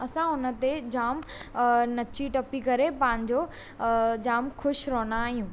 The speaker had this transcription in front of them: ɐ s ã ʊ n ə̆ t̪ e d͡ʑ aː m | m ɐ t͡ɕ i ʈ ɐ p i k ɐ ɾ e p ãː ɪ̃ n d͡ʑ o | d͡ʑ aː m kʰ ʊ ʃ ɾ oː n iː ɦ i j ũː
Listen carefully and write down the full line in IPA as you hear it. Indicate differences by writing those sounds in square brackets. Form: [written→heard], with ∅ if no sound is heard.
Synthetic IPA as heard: ɐ s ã ʊ n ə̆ t̪ e d͡ʑ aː m | [m→n] ɐ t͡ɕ i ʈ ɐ p i k ɐ ɾ e p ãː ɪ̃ [n→ɲ] d͡ʑ o | d͡ʑ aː m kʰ ʊ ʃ ɾ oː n [iː→aː] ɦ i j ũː